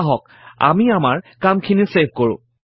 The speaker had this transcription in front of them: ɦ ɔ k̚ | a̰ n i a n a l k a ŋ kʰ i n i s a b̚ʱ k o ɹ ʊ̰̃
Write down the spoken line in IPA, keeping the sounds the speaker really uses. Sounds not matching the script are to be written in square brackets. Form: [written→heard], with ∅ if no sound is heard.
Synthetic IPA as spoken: ɦ ɔ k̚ | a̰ [n→m] i a [n→m] a [l→ɹ] k a [ŋ→m] kʰ i n i s [a→e] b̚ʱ k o ɹ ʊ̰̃